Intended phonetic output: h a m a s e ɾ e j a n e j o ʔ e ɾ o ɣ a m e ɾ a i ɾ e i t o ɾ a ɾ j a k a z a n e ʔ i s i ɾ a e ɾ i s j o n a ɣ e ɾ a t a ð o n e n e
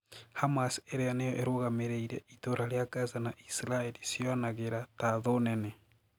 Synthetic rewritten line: h a m a s e ɾ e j a n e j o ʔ e ɾ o ɣ a m e ɾ e i ɾ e i t o ɾ a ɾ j a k a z a n a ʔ i s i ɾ a e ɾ i s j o n a ɣ e ɾ a t a ð o n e n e